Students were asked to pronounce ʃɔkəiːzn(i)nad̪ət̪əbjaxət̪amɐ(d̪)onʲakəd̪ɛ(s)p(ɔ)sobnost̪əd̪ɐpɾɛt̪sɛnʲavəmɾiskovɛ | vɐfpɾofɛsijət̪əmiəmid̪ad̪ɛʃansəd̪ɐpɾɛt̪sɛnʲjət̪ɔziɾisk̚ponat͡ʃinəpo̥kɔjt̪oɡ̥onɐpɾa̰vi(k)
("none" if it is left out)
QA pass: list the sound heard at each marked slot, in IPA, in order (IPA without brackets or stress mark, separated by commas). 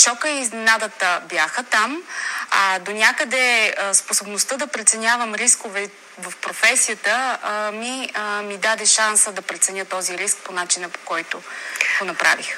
ɛ, d̪, s, o, x